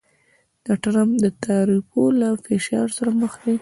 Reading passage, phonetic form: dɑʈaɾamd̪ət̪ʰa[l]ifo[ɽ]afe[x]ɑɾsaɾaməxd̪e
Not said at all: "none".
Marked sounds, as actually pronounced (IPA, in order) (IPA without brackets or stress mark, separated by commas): ɾ, l, ʃ